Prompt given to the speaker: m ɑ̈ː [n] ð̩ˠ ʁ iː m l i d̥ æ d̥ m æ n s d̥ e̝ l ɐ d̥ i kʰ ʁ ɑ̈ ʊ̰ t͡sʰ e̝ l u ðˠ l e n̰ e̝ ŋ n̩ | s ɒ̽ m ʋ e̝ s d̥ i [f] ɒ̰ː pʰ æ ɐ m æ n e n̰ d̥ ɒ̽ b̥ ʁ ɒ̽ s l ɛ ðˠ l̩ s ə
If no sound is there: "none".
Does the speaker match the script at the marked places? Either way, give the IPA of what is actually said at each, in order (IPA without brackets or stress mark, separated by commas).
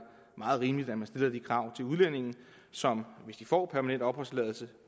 none, f